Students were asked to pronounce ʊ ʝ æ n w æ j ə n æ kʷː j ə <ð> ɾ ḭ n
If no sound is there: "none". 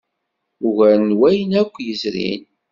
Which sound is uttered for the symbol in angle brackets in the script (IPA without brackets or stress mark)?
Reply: z